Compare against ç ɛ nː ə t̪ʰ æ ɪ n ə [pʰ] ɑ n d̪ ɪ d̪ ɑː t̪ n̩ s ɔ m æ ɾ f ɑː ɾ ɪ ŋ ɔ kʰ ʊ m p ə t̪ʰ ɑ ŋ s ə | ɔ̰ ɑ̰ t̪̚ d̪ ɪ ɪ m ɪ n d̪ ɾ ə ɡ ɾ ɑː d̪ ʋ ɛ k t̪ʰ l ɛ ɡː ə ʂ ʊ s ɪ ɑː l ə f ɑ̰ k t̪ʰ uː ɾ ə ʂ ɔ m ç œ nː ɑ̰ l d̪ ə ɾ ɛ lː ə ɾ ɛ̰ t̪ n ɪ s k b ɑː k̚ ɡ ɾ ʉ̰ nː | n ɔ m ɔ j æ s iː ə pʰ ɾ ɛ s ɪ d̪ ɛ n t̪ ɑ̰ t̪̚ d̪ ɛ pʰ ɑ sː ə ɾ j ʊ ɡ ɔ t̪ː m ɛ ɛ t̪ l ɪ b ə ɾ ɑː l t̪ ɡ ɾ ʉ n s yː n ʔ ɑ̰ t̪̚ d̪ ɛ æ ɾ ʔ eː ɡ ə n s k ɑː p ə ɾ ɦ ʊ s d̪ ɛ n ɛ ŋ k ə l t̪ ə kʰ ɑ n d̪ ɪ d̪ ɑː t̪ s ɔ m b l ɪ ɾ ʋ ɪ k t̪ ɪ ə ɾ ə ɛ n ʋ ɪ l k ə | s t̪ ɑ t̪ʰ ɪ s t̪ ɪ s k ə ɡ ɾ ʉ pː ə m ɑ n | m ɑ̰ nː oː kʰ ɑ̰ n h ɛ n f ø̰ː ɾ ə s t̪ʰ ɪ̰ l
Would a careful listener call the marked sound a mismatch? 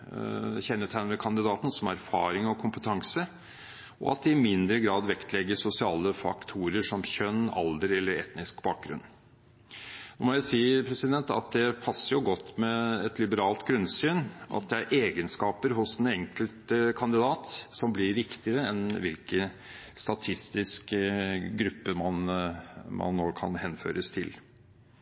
yes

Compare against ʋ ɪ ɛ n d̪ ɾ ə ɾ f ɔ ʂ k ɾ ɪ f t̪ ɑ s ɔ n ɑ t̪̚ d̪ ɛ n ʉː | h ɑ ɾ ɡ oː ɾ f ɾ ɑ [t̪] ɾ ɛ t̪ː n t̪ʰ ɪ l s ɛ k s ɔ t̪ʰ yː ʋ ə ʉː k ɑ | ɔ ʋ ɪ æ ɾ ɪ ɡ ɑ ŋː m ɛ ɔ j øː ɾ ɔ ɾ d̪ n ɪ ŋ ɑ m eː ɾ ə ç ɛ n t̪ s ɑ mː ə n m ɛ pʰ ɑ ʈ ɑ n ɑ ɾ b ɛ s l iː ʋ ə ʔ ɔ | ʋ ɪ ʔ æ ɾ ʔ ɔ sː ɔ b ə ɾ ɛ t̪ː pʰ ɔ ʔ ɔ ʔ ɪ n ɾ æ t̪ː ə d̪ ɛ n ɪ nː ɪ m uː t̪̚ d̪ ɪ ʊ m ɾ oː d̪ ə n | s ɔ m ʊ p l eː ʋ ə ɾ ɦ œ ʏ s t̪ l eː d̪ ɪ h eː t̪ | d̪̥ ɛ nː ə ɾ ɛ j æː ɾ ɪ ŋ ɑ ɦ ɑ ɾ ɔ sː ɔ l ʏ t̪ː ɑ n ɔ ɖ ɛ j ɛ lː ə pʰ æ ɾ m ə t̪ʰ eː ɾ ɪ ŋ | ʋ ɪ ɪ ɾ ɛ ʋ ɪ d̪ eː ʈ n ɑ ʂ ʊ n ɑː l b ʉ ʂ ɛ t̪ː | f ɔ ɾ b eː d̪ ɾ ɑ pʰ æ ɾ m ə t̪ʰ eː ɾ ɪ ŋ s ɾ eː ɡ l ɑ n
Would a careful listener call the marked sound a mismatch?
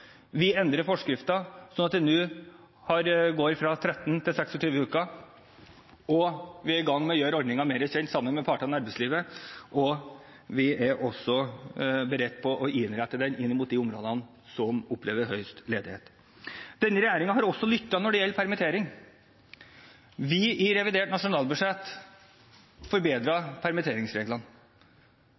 yes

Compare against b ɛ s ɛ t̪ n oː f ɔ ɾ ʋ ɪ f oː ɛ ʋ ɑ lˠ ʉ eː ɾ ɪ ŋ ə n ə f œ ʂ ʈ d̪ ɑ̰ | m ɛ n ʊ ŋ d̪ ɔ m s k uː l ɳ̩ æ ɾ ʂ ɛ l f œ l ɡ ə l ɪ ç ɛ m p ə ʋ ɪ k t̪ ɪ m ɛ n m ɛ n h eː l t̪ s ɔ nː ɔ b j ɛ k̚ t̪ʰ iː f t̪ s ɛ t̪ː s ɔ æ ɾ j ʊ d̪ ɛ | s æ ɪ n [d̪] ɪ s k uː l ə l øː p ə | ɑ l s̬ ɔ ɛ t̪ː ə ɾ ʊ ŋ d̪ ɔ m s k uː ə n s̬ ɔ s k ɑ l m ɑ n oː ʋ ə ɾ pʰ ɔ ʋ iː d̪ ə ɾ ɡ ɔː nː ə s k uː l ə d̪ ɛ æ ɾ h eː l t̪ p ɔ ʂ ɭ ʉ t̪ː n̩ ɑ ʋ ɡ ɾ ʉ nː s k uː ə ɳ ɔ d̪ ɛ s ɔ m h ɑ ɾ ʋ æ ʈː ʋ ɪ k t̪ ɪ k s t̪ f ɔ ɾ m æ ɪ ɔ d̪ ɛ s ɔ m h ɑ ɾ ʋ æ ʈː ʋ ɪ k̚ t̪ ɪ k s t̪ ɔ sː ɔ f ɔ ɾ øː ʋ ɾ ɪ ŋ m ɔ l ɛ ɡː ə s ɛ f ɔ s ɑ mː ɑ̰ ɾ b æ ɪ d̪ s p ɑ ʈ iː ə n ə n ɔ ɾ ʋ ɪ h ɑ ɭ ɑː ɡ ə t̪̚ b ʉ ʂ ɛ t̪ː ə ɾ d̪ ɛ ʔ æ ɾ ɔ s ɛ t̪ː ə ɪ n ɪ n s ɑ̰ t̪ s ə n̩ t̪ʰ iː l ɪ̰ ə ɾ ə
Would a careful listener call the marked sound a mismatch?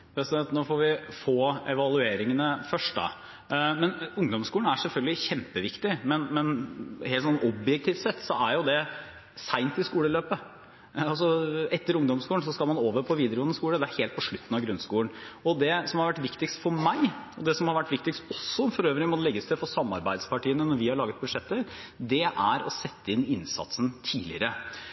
yes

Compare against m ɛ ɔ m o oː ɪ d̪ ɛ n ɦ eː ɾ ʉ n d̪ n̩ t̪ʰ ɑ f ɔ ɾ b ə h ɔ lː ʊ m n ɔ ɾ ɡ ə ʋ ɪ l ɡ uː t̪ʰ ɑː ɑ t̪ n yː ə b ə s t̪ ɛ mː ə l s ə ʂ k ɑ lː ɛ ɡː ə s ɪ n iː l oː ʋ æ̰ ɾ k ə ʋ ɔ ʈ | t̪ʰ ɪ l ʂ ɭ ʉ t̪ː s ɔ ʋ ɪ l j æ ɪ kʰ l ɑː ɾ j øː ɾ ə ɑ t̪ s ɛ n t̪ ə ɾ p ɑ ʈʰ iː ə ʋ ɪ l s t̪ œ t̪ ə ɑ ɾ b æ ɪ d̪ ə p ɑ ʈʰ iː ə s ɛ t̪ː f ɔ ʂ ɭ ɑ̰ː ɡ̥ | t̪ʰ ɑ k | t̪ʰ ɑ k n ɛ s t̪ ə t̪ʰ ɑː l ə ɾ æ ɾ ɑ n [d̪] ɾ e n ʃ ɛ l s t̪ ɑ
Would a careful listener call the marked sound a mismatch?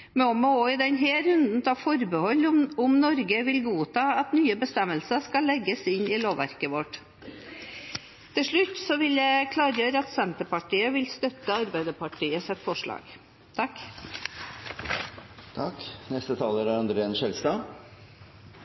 no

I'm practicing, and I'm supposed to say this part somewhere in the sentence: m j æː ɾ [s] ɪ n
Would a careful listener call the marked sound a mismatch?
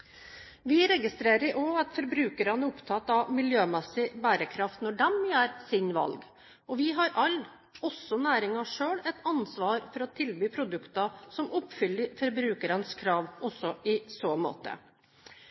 no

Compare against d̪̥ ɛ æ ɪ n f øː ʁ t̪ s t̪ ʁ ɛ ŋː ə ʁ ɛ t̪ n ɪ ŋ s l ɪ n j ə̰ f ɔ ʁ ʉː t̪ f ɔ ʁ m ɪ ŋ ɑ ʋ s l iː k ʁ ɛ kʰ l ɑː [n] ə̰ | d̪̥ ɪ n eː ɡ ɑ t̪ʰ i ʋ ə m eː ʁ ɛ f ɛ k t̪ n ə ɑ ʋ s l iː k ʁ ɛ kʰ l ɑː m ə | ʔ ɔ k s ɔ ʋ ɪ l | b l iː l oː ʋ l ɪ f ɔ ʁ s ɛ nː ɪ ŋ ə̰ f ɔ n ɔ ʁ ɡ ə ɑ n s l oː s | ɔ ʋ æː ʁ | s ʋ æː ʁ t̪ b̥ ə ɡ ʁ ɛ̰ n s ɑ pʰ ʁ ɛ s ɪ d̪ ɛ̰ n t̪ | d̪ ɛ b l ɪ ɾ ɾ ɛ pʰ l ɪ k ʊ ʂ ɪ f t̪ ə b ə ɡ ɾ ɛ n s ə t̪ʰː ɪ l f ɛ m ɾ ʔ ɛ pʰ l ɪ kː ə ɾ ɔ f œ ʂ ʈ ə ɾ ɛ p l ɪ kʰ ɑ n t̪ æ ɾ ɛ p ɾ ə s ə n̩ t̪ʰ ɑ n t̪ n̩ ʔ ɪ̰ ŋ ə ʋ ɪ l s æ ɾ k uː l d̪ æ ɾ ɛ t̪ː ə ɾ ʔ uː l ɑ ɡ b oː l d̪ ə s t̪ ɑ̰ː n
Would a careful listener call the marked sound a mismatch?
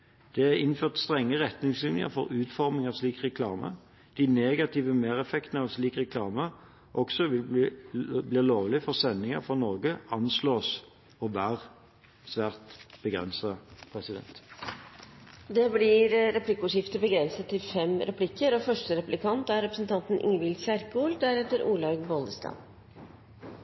yes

